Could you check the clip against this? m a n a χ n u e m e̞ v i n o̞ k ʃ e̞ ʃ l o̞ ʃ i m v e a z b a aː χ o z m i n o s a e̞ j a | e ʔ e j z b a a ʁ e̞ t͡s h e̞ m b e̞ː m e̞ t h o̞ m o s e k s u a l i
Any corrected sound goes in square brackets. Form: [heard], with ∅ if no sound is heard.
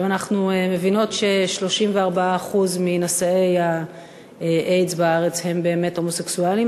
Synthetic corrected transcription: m a n a χ n u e m e̞ v i n o̞ [t] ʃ e̞ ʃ l o̞ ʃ i m v e a [ʁ] b a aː χ [u] z m i n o s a e̞ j a | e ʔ e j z b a a ʁ e̞ t͡s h e̞ m b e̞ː m e̞ t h o̞ m o s e k s u a l i